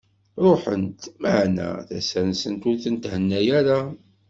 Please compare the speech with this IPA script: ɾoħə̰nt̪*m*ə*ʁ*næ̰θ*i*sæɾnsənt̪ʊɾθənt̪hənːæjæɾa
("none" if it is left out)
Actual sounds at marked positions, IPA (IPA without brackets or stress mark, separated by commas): m, ʕ, æ